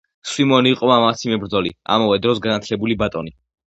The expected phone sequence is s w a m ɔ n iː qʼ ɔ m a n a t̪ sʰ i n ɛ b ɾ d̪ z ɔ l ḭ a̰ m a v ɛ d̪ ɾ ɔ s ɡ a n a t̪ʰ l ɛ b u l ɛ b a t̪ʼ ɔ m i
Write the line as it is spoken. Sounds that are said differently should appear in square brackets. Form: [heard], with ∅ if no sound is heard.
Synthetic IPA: s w [i] m ɔ n iː qʼ ɔ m a [m] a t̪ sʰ i [m] ɛ b ɾ d̪ z ɔ l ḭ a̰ m a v ɛ d̪ ɾ ɔ s ɡ a n a t̪ʰ l ɛ b u l [i] b a t̪ʼ ɔ [n] i